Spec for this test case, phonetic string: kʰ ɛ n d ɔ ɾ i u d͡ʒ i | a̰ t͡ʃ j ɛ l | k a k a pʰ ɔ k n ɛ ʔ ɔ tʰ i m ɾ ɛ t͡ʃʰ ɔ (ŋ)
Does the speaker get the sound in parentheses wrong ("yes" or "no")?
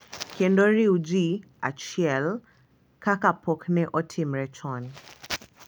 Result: yes